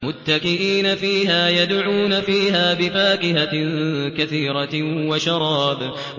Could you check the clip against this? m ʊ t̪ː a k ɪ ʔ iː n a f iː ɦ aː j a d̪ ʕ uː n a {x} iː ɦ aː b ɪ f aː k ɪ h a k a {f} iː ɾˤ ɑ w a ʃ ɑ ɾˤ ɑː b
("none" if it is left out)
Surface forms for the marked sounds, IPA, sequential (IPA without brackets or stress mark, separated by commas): f, θ